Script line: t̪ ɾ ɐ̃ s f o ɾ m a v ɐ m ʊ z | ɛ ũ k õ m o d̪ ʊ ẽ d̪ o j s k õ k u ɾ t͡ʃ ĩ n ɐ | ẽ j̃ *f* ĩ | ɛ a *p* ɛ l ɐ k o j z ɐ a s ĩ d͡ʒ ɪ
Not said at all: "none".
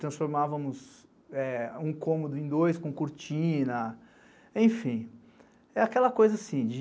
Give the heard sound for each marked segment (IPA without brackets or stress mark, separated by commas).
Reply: f, k